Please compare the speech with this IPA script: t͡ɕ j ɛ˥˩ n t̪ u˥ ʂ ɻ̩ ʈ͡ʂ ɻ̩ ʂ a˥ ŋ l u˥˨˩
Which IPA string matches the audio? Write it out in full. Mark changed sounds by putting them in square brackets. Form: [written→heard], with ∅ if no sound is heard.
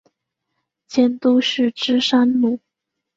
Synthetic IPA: t͡ɕ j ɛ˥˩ n t̪ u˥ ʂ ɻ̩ ʈ͡ʂ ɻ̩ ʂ a˥ [ŋ→n] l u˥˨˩